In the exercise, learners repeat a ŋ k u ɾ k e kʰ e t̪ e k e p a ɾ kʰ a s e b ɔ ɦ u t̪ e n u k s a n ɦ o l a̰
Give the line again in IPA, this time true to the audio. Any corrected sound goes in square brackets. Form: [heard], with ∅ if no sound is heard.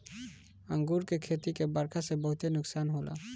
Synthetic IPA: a ŋ [ɡ] u ɾ k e kʰ e t̪ [i] k e [b] a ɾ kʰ a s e b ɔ ɦ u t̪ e n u k s a n ɦ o l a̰